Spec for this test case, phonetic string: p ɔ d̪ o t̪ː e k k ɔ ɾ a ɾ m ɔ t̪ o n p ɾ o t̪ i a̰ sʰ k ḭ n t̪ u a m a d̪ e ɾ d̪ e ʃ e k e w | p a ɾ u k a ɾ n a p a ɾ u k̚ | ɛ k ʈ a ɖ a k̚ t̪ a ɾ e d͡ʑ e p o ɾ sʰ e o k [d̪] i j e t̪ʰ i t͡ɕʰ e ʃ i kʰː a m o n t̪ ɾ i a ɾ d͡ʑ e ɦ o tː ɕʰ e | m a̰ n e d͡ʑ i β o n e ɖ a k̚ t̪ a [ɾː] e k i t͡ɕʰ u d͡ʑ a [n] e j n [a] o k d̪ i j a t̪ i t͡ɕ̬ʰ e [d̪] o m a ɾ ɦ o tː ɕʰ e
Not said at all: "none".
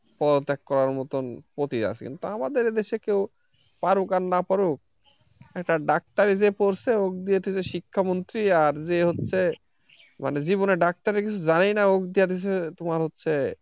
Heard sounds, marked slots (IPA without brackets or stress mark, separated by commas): d̪, ɾ, n, a, t̪